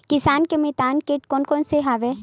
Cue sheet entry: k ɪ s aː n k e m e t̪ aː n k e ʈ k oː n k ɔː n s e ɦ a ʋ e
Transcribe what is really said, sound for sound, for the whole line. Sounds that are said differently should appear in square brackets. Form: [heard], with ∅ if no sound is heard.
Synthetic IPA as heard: k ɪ s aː n k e m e t̪ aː n k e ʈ k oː n k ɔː n s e ɦ a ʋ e